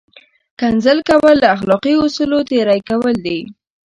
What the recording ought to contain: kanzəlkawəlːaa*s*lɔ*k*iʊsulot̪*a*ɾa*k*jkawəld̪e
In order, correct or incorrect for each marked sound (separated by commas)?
incorrect, incorrect, incorrect, incorrect